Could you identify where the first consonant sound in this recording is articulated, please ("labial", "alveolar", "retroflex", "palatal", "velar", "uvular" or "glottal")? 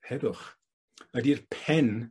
glottal